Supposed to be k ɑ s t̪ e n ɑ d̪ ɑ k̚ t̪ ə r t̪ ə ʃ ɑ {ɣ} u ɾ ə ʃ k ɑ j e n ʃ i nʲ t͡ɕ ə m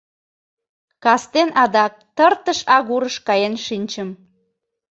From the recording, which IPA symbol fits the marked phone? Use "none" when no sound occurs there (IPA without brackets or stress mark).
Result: ɣ